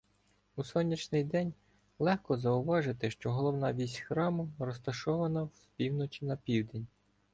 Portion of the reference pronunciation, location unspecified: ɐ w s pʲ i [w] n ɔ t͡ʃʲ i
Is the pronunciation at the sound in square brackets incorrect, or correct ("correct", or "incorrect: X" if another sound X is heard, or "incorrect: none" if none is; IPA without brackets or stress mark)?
correct